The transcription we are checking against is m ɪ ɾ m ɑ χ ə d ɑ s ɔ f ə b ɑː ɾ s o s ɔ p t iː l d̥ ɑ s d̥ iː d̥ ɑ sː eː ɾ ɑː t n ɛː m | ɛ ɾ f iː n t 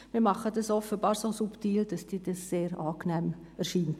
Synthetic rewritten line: m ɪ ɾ m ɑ χ ə d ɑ s ɔ f ə b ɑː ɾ s o s u p t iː l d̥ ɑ s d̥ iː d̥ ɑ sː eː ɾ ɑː k n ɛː m | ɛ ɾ ʃ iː n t